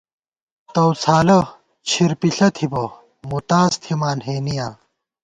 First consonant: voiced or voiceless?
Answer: voiceless